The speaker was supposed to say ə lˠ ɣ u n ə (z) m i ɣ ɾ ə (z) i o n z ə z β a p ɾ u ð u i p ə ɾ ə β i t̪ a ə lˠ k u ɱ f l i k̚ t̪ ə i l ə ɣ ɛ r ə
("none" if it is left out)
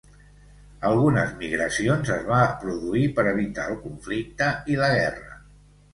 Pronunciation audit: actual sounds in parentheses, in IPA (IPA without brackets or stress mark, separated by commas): z, s